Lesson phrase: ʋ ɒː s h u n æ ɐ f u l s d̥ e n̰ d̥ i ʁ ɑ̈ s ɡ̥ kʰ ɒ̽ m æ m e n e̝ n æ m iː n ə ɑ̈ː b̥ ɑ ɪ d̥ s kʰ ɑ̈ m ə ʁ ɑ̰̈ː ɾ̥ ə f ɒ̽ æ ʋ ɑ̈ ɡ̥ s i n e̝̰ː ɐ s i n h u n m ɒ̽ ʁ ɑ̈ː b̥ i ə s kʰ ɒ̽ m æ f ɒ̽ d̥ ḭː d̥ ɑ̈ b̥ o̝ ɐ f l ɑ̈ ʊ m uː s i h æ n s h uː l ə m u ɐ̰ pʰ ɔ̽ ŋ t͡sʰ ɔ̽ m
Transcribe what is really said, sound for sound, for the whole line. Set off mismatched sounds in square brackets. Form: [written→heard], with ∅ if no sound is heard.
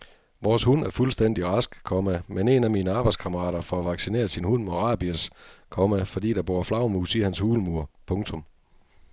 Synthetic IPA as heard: ʋ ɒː s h u n æ ɐ f u l s d̥ e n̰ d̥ i ʁ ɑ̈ s ɡ̥ kʰ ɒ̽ m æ m e n e̝ n æ m iː n ə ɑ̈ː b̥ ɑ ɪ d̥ s kʰ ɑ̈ m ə ʁ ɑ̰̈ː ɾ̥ [ə→ɐ] f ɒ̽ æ ʋ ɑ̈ ɡ̥ s i n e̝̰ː ɐ s i n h u n m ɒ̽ ʁ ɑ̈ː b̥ i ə s kʰ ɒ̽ m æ f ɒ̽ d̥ ḭː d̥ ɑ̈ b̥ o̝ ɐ f l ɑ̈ ʊ m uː s i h æ n s h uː l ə m u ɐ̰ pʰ ɔ̽ ŋ t͡sʰ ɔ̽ m